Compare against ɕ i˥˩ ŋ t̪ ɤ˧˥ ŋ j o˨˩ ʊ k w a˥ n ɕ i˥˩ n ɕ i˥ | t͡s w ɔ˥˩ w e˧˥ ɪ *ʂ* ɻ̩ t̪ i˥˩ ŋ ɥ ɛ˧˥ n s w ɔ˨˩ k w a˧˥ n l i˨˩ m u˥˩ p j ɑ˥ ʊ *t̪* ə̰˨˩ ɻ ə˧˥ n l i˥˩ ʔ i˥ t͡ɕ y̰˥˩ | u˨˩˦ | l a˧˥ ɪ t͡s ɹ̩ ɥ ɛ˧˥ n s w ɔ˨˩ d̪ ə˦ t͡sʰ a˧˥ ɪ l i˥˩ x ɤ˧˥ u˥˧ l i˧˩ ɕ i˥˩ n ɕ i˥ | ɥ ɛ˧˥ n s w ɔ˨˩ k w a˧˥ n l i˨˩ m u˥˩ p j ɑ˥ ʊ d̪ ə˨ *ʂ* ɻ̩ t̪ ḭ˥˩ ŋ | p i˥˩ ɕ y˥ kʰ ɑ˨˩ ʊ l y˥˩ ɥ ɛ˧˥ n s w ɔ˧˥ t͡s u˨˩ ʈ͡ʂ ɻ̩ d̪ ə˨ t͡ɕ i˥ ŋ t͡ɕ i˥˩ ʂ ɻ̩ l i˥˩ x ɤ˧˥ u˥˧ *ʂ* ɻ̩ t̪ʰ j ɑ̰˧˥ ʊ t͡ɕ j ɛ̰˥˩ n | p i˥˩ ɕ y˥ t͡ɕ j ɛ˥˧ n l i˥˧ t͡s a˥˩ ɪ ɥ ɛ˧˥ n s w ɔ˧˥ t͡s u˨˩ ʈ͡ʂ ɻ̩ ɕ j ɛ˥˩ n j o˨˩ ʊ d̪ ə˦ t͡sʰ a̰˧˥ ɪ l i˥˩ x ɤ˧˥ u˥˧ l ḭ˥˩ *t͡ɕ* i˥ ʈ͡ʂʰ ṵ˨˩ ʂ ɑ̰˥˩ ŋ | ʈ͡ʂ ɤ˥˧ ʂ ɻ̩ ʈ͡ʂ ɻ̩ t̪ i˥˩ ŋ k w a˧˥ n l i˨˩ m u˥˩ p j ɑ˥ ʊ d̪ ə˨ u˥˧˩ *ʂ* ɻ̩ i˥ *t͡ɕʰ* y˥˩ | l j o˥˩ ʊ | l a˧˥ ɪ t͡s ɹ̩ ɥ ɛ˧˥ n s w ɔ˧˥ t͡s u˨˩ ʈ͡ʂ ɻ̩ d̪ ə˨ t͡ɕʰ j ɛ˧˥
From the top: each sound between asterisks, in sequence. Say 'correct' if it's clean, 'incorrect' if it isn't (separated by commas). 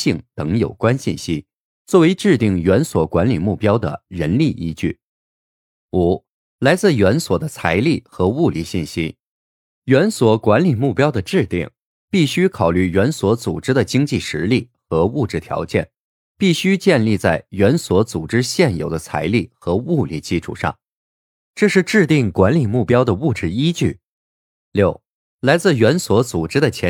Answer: incorrect, incorrect, incorrect, incorrect, correct, incorrect, incorrect